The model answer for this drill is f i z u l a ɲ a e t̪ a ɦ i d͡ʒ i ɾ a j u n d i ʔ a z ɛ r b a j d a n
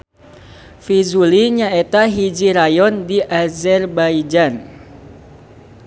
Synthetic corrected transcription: f i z u l i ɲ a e t̪ a ɦ i d͡ʒ i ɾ a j ɔ n d i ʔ a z ɛ r b a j d͡ʒ a n